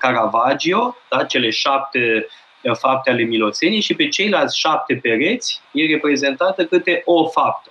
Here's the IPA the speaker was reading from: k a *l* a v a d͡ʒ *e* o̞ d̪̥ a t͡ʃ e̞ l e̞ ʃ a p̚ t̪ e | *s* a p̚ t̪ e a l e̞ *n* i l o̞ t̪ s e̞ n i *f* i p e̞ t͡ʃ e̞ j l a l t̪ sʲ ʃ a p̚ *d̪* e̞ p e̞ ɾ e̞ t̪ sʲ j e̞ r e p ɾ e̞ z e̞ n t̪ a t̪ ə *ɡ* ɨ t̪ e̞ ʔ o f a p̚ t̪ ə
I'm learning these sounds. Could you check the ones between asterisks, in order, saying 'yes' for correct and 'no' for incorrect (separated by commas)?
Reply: no, no, no, no, no, no, no